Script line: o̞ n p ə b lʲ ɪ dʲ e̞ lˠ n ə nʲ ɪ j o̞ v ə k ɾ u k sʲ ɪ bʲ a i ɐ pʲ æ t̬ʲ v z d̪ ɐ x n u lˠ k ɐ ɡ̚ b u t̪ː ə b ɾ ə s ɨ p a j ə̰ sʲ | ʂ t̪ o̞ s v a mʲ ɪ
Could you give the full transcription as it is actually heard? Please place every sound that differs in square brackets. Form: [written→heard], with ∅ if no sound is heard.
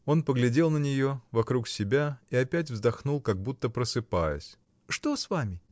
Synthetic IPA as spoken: o̞ n p ə [b→ɡ] lʲ ɪ dʲ e̞ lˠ n ə nʲ ɪ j o̞ v [ə→ɐ] k ɾ u k sʲ ɪ bʲ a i ɐ pʲ æ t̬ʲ v z d̪ ɐ x n u lˠ k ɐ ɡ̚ b u t̪ː ə [b→p] ɾ ə s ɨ p a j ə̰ sʲ | ʂ t̪ o̞ s v a mʲ ɪ